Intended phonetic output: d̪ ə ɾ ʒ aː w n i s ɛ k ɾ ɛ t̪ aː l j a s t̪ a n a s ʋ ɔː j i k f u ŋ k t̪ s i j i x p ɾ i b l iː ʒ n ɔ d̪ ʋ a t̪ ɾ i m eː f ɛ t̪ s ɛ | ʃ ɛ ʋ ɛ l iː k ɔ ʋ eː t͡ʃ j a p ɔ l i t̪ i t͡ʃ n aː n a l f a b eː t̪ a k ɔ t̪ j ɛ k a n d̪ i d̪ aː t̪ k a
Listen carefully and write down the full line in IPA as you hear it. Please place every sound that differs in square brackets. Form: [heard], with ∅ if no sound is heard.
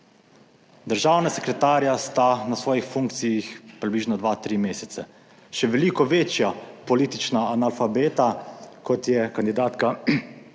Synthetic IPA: d̪ ə ɾ ʒ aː w n [a] s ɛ k ɾ ɛ t̪ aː [ɾ] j a s t̪ a n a s ʋ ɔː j i [x] f u ŋ k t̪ s i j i x p ɾ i b l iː ʒ n ɔ d̪ ʋ a t̪ ɾ i m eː [s] ɛ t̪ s ɛ | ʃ ɛ ʋ ɛ l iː k ɔ ʋ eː t͡ʃ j a p ɔ l i t̪ i t͡ʃ n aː n a l f a b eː t̪ a k ɔ t̪ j ɛ k a n d̪ i d̪ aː t̪ k a